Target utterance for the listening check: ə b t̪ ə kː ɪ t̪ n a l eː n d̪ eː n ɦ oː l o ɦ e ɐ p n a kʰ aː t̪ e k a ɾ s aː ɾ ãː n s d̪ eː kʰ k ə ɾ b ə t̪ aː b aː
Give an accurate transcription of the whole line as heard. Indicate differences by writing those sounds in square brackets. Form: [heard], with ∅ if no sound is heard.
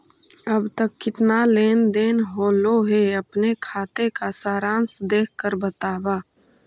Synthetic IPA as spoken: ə b t̪ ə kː ɪ t̪ n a l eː n d̪ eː n ɦ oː l o ɦ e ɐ p n [e] kʰ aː t̪ e k a [∅] s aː ɾ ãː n s d̪ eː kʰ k ə ɾ b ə t̪ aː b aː